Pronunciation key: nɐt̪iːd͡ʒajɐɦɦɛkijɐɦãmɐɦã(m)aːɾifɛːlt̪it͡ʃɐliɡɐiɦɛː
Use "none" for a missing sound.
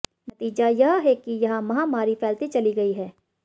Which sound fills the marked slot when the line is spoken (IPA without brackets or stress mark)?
m